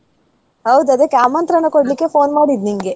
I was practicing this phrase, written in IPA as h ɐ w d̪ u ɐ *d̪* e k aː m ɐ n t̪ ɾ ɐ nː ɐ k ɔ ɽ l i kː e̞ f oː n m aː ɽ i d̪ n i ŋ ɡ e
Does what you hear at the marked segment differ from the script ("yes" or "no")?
no